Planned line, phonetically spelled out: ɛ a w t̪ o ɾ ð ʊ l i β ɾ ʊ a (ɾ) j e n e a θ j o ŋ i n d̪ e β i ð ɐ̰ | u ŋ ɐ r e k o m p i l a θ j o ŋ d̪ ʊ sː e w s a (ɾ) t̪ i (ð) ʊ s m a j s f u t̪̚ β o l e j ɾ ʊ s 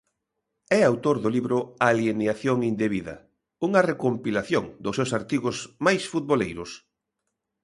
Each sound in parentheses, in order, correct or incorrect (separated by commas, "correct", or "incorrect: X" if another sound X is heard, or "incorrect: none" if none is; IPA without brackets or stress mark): incorrect: l, correct, incorrect: ɣ